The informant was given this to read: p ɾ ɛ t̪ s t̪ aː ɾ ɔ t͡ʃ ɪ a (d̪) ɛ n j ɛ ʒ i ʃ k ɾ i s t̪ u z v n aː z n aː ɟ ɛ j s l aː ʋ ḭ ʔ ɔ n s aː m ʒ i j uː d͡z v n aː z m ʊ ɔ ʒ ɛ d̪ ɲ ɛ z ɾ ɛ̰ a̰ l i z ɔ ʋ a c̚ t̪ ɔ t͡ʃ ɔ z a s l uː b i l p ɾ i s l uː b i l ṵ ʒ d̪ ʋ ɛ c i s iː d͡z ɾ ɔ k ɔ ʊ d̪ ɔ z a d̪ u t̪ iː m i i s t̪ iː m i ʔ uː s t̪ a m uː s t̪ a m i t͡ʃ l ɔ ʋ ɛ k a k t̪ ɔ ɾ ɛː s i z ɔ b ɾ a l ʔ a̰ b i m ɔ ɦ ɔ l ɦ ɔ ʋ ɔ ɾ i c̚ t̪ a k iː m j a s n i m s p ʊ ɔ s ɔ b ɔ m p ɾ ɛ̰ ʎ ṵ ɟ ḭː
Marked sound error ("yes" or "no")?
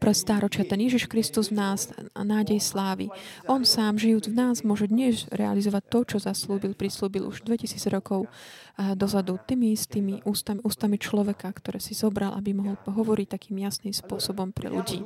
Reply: yes